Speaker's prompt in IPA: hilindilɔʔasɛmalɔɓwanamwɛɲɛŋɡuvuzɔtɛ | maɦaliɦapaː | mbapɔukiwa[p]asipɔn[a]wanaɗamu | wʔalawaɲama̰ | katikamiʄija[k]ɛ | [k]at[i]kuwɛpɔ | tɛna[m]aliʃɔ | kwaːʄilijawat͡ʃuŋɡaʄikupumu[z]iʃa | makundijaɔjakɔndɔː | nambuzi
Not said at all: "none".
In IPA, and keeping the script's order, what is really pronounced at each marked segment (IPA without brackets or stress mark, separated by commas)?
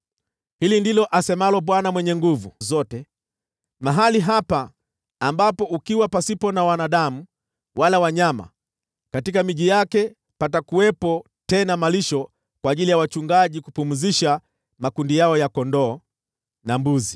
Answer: p, a, k, p, a, m, z